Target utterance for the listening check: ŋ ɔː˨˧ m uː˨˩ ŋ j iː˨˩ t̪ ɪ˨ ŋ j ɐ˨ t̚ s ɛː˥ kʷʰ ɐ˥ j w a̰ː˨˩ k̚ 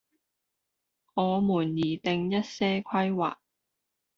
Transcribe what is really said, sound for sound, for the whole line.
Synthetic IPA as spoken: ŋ ɔː˨˧ m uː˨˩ n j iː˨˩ t̪ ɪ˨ ŋ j ɐ˥ t̚ s ɛː˥ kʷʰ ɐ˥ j w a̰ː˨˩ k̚